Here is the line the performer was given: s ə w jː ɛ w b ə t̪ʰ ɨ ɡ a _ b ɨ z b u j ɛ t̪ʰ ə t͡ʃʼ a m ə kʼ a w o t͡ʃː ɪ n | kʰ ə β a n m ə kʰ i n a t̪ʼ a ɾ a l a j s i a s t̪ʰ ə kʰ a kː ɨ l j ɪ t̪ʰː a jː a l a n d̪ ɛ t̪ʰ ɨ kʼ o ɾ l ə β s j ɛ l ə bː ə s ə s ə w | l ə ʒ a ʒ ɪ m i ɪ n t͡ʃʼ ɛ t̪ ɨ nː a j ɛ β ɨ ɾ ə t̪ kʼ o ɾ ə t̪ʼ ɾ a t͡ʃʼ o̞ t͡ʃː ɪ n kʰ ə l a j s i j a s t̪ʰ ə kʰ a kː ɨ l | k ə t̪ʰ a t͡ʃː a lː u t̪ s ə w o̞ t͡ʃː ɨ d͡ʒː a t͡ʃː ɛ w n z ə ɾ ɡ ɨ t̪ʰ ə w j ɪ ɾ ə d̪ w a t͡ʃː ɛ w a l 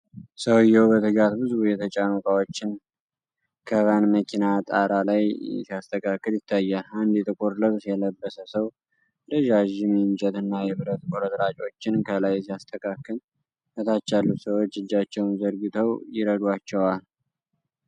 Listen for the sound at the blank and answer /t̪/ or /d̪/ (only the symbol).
t̪